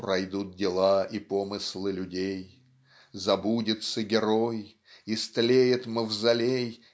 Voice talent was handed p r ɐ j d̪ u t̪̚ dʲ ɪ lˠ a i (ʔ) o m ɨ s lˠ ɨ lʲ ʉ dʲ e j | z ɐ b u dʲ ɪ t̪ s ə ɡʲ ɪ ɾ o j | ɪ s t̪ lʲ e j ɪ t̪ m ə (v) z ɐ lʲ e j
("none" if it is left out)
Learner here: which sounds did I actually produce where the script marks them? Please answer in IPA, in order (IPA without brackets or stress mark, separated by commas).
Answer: p, v